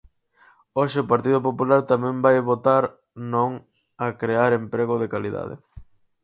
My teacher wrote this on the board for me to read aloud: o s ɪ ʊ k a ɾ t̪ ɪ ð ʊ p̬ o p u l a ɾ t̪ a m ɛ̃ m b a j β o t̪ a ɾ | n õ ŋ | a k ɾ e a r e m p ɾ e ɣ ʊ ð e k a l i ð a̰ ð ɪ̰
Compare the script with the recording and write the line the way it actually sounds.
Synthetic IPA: o ʃ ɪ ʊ p a ɾ t̪ i ð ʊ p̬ o p u l a ɾ t̪ a m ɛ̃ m b a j β o t̪ a ɾ | n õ ŋ | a k ɾ e a ɾ e m p ɾ e ɣ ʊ ð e k a l i ð a̰ ð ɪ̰